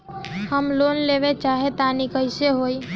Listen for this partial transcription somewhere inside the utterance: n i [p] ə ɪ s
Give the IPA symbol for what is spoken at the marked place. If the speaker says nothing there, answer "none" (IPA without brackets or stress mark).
k